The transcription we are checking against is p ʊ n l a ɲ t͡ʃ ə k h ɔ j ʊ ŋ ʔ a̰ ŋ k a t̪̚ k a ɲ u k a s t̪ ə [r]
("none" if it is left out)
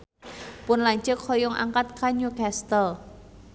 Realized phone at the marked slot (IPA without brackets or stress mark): l